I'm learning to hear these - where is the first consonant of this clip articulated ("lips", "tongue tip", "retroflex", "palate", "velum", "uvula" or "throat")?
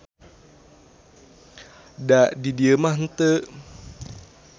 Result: tongue tip